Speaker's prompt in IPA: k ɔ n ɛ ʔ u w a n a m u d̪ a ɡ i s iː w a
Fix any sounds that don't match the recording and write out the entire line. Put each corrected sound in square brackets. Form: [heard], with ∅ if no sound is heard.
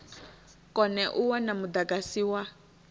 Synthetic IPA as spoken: k ɔ n ɛ ʔ u w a n a m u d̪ a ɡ [a] s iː w a